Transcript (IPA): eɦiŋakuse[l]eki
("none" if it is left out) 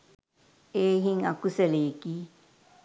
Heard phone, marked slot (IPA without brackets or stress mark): l